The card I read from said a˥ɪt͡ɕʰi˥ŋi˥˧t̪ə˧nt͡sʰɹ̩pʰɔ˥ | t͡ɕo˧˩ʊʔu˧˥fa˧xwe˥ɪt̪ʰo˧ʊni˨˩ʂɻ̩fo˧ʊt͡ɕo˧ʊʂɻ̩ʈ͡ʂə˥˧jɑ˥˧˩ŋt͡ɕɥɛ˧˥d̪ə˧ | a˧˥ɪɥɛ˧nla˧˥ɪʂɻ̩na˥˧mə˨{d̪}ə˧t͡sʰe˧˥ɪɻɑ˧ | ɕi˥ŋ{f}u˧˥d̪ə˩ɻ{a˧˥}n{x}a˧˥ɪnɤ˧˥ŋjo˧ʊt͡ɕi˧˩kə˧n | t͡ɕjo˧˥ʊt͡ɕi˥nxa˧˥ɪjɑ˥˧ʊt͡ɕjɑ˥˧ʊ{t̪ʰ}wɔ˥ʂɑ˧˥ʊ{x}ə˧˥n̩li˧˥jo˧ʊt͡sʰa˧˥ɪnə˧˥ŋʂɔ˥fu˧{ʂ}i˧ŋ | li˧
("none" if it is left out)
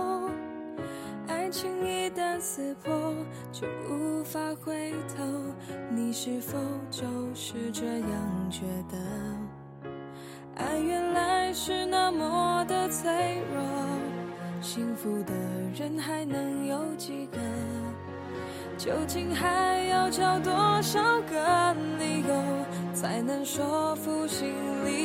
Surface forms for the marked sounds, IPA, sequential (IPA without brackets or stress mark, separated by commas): d̪, f, ə˧˥, x, t̪, k, ɕ